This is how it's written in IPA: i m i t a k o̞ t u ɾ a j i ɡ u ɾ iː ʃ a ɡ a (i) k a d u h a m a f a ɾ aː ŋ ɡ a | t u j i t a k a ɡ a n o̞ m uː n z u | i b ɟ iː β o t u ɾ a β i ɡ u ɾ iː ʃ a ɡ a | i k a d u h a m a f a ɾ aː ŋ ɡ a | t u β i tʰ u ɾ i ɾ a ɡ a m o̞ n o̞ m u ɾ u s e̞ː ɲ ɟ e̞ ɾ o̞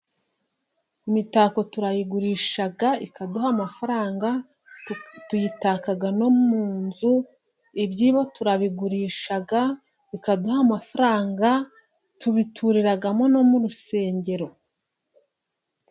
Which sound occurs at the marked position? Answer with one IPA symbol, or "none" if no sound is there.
i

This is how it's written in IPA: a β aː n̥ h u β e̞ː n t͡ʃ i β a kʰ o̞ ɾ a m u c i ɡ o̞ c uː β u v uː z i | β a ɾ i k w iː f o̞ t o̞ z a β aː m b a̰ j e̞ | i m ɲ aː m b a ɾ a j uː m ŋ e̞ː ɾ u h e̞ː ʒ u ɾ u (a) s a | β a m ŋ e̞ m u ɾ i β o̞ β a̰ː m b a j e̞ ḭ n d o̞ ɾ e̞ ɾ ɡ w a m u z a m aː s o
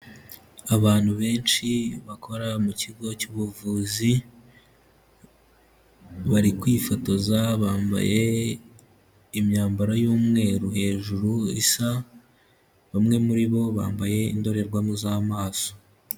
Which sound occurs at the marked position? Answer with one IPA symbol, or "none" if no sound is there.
i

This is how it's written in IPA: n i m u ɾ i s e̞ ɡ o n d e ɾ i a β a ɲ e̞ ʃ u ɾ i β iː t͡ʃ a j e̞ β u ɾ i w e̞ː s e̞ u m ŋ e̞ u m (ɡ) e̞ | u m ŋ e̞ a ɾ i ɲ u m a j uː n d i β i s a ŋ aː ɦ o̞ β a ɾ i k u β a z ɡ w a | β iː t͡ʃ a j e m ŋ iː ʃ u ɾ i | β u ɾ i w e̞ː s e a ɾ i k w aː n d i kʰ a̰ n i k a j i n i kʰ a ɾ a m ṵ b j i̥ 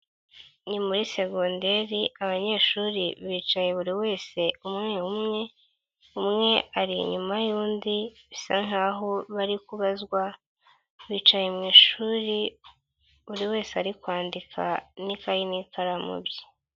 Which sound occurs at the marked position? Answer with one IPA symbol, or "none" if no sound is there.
ŋ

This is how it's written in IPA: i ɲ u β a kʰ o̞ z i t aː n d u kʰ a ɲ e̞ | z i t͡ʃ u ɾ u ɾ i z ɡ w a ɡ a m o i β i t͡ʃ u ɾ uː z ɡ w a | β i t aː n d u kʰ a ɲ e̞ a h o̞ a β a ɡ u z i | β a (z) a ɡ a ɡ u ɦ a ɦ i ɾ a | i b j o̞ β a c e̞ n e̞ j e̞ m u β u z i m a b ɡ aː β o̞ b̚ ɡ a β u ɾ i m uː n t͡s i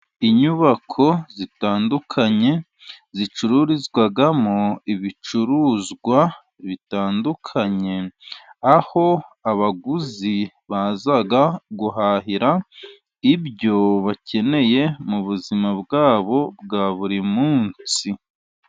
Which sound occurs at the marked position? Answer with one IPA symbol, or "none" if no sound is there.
z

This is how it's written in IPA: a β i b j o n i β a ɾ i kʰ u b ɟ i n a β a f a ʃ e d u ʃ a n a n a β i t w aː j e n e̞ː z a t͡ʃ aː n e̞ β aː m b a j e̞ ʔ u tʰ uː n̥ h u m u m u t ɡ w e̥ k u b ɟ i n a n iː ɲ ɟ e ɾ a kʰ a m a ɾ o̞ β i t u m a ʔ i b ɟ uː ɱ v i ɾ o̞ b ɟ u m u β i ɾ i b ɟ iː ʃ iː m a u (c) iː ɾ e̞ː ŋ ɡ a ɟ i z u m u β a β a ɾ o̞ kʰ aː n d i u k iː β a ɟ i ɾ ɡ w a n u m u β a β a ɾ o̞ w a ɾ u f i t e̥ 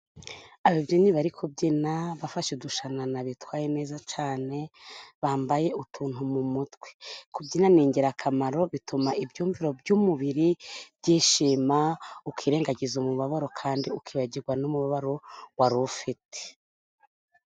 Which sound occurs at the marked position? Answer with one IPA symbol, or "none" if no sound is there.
k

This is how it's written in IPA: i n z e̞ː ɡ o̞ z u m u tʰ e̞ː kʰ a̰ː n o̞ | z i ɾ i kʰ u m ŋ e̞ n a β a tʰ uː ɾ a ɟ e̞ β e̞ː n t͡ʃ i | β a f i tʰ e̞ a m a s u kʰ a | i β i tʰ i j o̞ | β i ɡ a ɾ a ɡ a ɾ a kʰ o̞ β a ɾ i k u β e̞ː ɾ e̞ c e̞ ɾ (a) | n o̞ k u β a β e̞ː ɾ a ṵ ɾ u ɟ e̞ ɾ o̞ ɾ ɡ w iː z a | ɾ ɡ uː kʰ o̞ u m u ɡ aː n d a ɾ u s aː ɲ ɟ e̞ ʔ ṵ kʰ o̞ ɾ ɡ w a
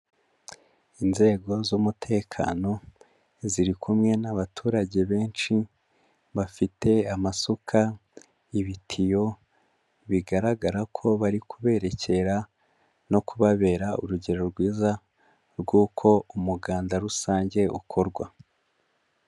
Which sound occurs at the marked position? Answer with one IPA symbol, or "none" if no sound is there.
a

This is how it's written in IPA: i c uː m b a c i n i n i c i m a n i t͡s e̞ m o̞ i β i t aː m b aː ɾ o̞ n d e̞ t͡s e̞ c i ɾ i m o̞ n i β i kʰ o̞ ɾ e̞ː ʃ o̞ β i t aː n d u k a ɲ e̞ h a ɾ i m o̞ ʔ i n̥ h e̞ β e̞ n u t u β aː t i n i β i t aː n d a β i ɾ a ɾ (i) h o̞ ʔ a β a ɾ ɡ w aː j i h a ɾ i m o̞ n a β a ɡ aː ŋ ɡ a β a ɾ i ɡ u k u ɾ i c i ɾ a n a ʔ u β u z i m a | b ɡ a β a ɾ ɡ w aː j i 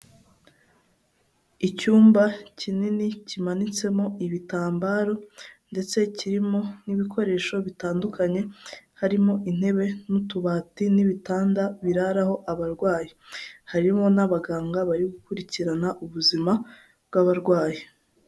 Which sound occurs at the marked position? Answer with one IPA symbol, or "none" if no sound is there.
a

